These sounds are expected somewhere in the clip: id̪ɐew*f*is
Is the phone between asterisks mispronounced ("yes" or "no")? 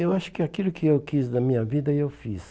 no